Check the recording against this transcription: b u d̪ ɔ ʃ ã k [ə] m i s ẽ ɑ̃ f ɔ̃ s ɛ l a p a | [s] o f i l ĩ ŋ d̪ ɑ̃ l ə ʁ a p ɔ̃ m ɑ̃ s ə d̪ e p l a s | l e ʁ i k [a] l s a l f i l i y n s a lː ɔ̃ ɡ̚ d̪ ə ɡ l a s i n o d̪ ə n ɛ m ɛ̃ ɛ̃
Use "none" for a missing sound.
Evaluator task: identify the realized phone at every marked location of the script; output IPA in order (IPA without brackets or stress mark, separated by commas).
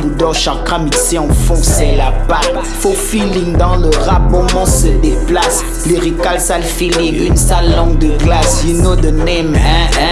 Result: a, f, a